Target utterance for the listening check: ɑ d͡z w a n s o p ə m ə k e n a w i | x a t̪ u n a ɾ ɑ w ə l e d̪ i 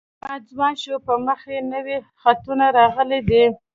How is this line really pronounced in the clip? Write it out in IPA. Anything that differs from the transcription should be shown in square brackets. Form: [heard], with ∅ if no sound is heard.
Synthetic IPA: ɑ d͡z w [ɑ] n [ʃ] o p ə m ə [x] e n [ə] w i | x a t̪ u n a ɾ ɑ [ɣ] ə l e d̪ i